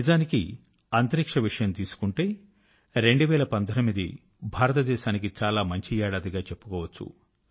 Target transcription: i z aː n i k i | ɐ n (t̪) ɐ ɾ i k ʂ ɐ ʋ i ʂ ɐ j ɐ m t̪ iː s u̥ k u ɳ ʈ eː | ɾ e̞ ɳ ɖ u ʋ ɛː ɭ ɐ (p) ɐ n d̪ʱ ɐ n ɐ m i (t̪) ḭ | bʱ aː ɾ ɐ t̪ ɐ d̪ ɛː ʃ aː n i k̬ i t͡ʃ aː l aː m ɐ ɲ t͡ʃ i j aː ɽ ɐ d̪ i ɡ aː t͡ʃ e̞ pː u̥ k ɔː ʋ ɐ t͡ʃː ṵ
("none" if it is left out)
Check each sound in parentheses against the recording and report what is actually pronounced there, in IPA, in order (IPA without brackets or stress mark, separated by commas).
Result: t̪, p, d̪